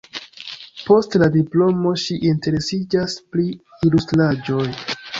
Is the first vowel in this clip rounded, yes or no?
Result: yes